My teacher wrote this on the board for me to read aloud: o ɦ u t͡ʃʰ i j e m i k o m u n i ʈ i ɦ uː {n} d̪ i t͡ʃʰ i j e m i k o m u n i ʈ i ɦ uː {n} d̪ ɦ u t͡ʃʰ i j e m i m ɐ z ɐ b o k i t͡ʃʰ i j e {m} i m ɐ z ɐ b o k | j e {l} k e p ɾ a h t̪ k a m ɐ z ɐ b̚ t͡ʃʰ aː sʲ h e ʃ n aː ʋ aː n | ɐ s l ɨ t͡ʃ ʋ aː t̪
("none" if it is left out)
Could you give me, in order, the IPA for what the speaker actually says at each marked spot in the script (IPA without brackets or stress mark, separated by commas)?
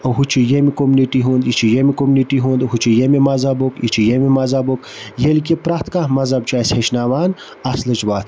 n, n, m, l